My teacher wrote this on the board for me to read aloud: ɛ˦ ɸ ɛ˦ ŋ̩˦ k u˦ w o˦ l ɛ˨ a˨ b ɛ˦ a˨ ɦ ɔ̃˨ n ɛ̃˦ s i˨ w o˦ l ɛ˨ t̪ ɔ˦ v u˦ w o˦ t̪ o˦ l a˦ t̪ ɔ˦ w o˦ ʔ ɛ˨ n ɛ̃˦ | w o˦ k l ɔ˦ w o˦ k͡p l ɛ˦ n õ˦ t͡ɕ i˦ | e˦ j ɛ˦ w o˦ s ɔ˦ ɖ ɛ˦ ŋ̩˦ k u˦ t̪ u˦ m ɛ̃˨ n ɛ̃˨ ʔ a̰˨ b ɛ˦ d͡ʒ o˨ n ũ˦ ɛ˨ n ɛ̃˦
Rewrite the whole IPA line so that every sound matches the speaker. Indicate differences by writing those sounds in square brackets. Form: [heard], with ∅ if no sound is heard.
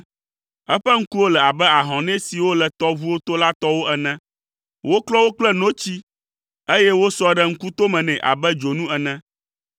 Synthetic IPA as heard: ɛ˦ ɸ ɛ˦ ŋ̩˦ k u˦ w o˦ l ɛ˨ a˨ b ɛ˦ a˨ ɦ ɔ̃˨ n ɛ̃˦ s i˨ w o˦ l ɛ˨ t̪ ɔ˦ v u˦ w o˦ t̪ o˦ l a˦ t̪ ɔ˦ w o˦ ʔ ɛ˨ n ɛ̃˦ | w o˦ k l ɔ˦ w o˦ k͡p l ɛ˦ n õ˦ t͡ɕ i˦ | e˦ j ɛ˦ w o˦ s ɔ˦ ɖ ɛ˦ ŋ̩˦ k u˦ t̪ [o˦] m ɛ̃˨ n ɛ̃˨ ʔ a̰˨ b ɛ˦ d͡ʒ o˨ n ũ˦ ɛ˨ n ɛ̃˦